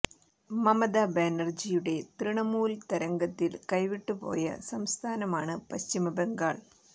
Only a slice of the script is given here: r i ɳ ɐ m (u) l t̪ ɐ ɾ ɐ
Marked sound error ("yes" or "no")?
yes